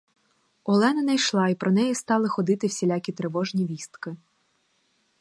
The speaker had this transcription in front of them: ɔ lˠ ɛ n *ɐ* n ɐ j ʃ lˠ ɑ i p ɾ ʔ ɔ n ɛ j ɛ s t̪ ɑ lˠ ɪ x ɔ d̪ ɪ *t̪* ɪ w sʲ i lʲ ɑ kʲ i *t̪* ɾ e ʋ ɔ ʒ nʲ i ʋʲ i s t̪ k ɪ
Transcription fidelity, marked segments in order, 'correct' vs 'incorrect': correct, correct, correct

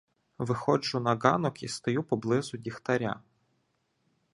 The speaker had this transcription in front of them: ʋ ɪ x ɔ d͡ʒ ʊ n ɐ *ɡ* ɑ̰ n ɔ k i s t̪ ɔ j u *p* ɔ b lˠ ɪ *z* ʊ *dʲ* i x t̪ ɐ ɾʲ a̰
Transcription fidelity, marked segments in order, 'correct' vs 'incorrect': correct, correct, correct, correct

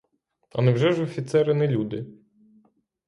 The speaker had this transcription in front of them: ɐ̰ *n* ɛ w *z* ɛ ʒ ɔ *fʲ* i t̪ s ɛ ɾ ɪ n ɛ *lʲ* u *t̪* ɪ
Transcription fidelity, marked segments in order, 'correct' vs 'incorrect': correct, incorrect: ʒ, correct, correct, incorrect: d̪

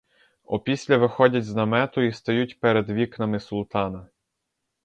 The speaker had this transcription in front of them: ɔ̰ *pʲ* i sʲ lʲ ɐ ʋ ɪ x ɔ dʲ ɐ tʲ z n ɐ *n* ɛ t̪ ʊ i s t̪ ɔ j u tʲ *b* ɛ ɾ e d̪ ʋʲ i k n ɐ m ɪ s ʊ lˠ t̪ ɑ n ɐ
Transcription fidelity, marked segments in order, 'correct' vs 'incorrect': correct, incorrect: m, incorrect: p

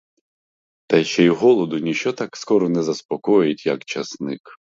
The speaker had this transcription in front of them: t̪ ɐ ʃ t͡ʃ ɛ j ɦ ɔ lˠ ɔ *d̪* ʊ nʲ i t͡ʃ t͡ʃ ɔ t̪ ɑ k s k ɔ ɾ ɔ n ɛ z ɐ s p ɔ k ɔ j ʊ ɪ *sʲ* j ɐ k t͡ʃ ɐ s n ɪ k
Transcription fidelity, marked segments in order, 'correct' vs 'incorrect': correct, incorrect: tʲ

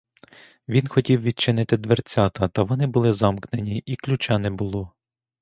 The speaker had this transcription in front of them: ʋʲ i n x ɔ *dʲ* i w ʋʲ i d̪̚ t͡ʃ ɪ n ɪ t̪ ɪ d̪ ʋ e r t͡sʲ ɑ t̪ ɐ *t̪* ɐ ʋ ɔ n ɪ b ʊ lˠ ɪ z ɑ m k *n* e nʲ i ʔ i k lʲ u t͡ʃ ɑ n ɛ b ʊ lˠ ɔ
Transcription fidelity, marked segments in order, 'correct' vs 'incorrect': incorrect: tʲ, correct, correct

